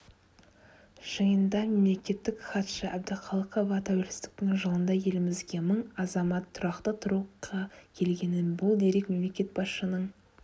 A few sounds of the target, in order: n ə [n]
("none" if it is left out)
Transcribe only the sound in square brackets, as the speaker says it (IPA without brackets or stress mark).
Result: ɴ